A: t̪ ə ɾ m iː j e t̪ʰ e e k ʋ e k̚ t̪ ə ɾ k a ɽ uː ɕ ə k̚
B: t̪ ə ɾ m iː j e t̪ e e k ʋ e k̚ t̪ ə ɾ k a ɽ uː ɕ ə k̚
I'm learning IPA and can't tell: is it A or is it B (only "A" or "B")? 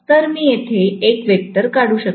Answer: A